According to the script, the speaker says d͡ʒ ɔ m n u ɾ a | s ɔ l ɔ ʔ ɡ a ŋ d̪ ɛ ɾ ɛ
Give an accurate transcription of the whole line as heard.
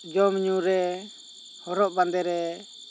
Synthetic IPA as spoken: d͡ʒ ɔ m ɲ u ɾ ɛ | h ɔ ɾ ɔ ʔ b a n d̪ ɛ ɾ ɛ